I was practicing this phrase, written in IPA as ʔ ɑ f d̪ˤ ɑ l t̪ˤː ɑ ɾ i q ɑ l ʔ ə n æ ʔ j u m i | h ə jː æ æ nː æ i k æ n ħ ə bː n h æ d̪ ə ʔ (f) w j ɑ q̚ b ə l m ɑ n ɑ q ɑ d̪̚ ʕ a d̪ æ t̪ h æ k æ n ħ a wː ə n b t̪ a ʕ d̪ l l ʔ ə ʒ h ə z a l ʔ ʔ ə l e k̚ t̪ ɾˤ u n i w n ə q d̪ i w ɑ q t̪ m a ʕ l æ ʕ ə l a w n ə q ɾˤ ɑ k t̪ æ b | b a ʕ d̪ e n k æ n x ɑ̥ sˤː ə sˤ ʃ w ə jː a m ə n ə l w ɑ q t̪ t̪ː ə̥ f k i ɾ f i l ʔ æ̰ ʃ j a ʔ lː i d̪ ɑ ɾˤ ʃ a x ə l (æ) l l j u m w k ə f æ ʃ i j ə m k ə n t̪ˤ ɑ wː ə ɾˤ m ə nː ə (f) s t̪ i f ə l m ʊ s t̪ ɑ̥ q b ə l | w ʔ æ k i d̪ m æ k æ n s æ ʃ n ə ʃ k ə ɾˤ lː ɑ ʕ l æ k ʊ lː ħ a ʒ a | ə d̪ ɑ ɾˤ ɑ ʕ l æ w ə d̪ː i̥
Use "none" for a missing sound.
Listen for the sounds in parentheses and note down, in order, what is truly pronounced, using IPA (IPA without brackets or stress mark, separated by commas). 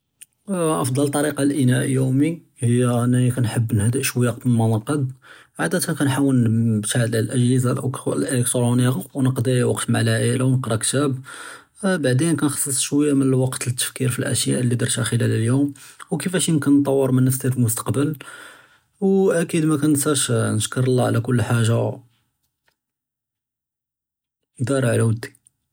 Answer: ʃ, æ, f